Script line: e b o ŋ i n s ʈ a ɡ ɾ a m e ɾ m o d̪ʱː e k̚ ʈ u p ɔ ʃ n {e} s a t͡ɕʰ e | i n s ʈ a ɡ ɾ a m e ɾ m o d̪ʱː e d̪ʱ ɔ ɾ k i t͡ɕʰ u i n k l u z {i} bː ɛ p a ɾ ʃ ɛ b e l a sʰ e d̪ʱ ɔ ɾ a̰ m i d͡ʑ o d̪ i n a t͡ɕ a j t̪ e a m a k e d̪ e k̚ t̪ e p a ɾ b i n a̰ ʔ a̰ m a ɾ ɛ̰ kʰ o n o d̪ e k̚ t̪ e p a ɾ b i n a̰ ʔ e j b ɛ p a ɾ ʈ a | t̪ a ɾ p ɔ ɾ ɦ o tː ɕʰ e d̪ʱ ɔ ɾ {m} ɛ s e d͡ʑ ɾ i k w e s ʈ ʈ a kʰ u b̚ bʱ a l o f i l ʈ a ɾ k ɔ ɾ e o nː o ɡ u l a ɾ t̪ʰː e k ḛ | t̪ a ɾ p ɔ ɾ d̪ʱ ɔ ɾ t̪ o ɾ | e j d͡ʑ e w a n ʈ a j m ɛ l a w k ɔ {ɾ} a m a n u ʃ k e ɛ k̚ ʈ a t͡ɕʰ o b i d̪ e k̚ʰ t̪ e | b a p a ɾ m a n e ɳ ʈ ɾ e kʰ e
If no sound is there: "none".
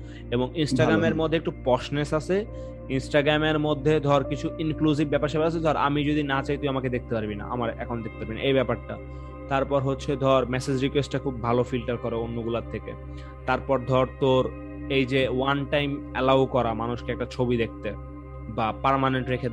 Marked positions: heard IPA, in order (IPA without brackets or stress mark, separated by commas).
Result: e, i, m, ɾ